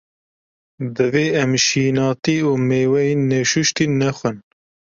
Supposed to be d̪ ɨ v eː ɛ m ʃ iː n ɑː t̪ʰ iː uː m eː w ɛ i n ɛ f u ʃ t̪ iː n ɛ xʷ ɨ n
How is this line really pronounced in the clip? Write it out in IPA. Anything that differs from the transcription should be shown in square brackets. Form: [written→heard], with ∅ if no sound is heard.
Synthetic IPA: d̪ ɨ v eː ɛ m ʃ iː n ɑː [t̪ʰ→t̪] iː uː m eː w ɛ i n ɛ [f→ʃ] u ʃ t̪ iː n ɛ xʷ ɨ n

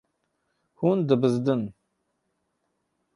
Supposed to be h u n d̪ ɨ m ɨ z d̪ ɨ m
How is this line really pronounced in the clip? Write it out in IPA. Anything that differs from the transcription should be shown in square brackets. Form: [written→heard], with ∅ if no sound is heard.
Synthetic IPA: h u n d̪ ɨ [m→b] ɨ z d̪ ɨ [m→n]

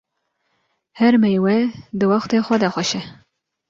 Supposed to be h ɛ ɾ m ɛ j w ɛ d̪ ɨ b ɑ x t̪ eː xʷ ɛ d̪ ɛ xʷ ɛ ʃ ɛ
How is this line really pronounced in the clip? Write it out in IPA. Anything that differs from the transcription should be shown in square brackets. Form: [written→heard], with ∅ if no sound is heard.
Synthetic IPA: h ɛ ɾ m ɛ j w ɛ d̪ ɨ [b→w] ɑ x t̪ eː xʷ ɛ d̪ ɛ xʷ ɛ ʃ ɛ

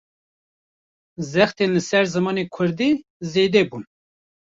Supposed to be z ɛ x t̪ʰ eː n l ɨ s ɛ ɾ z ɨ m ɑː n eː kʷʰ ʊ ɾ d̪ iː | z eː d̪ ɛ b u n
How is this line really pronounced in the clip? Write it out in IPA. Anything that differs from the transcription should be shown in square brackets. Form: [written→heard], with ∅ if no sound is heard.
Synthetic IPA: z ɛ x [t̪ʰ→t̪] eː n l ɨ s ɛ ɾ z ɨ m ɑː n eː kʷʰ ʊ ɾ d̪ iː | z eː d̪ ɛ b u n

